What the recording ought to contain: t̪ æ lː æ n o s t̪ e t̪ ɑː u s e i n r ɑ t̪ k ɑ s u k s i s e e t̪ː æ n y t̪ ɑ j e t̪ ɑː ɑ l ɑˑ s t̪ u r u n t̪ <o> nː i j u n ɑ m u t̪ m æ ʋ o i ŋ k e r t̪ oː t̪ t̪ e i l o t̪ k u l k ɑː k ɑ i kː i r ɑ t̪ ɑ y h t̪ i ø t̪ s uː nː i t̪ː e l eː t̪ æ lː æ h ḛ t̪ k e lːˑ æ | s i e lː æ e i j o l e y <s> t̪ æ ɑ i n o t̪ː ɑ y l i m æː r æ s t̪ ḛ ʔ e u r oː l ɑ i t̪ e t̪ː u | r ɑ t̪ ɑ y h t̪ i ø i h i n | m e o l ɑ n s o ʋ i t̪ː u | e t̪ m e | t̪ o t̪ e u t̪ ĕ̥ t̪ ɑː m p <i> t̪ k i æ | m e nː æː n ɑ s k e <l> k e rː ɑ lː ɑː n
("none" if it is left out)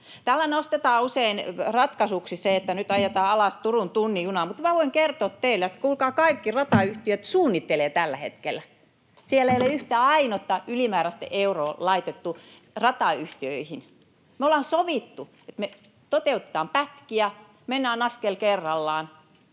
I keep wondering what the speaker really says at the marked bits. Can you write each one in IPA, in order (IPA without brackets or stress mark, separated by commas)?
u, h, æ, l